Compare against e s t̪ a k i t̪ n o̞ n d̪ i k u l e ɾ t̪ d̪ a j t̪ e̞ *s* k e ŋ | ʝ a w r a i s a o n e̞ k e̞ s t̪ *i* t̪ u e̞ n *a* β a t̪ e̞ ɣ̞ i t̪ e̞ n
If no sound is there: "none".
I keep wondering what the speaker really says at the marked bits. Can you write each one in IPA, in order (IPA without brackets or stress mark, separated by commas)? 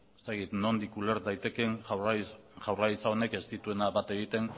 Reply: none, i, a